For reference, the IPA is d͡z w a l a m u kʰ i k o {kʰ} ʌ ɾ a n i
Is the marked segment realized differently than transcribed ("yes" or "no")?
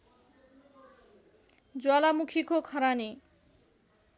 no